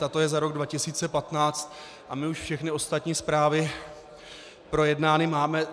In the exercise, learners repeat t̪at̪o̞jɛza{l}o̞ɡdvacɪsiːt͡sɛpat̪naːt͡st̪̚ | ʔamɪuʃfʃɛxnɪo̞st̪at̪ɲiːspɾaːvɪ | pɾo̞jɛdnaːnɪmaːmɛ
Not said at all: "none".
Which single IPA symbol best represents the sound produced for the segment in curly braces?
ɾ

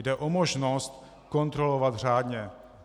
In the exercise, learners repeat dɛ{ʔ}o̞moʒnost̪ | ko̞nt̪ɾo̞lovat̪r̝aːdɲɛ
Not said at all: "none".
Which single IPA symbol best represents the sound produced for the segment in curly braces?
ʔ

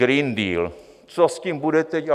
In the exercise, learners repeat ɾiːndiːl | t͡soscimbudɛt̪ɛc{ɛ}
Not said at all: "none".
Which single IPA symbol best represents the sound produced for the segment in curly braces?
a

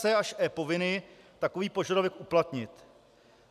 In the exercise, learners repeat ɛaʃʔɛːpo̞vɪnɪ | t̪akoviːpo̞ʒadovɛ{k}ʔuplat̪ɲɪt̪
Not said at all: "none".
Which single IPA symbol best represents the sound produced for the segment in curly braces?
k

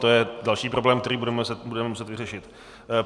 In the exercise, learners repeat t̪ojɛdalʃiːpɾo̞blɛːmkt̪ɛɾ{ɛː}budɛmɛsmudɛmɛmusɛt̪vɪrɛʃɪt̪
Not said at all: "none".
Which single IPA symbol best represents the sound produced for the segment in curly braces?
iː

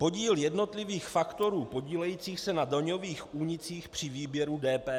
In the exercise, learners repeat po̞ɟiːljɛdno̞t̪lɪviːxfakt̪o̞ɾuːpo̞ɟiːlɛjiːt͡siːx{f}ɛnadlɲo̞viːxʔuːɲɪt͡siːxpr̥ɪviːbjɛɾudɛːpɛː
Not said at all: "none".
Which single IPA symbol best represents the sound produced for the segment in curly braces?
s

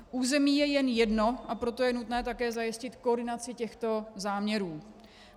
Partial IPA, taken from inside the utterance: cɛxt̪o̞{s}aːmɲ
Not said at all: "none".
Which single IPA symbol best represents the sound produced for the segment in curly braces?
z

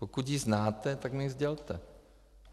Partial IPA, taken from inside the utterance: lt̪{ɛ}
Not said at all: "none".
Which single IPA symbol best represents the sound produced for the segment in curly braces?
ɛ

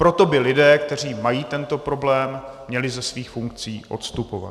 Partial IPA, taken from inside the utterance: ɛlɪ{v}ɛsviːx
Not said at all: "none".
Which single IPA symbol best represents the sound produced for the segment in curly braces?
z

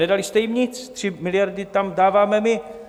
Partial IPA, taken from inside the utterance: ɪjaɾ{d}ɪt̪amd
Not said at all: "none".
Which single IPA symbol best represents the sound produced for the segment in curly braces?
d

